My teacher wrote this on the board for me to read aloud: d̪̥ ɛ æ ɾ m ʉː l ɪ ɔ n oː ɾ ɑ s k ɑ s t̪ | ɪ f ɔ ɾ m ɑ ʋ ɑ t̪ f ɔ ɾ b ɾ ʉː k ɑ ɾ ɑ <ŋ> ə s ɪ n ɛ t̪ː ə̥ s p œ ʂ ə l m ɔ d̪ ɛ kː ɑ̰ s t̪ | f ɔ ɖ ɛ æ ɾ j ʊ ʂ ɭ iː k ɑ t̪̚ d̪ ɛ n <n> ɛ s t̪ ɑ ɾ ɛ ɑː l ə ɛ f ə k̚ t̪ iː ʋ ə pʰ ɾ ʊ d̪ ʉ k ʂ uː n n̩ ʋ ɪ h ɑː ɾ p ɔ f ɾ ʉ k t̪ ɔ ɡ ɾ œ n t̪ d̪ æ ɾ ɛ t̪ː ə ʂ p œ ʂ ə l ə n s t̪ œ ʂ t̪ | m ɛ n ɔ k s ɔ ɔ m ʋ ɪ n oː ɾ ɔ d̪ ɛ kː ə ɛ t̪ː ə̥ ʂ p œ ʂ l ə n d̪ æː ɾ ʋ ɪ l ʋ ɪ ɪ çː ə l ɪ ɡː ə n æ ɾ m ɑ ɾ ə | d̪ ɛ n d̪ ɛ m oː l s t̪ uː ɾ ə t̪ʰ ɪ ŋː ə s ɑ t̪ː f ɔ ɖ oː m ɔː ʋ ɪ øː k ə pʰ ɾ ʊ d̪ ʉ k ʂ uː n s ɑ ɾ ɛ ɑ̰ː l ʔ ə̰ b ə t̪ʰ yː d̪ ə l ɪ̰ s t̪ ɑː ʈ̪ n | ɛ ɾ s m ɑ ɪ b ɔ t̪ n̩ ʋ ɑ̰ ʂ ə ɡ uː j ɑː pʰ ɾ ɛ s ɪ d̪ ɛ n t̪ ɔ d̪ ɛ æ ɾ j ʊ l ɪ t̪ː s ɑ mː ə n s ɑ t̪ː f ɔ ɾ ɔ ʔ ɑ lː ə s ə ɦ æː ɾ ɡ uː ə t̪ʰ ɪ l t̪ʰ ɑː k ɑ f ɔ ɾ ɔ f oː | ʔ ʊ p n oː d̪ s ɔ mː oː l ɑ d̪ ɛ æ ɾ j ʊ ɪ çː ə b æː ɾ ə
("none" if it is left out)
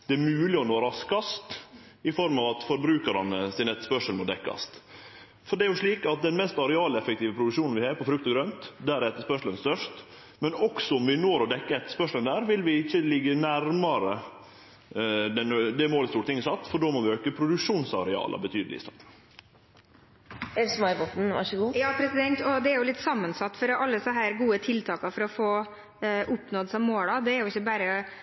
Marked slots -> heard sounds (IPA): n, m

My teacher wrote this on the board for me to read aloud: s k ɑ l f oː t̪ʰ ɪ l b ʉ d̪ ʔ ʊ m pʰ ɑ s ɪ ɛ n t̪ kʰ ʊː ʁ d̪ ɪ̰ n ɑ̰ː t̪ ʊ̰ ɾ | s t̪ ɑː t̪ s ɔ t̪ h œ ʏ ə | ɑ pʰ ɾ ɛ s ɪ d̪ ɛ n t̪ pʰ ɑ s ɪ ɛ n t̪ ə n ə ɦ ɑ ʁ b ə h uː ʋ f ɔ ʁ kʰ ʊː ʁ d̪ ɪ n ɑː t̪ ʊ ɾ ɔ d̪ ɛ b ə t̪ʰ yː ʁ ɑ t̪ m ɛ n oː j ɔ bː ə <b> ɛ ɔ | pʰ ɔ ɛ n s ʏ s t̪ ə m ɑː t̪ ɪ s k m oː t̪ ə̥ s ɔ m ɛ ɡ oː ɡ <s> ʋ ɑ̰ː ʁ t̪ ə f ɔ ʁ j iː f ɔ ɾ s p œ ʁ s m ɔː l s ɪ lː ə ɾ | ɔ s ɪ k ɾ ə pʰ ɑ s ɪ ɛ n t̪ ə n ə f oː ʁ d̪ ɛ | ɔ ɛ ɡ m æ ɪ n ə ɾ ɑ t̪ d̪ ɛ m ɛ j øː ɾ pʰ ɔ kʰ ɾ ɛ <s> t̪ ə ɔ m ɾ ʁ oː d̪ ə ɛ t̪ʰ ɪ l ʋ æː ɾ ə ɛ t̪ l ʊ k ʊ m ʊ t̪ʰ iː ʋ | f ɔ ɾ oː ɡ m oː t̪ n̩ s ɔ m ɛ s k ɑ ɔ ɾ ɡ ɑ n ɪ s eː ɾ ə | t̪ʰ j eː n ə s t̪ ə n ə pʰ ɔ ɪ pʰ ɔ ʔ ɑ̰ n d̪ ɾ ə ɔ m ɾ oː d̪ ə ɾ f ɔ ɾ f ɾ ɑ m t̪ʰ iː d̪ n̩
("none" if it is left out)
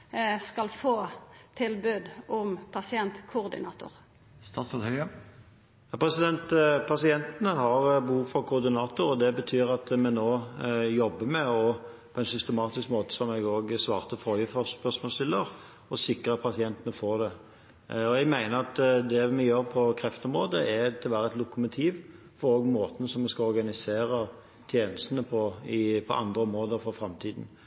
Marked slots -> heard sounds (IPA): m, s, f

